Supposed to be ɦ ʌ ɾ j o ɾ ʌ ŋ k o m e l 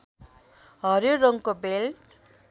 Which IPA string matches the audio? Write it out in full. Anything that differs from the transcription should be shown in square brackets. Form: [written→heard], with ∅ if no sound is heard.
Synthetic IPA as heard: ɦ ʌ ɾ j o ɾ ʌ ŋ k o [m→b] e l